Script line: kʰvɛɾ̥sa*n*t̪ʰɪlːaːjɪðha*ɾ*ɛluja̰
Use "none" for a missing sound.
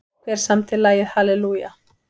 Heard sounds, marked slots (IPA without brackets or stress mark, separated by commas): m, l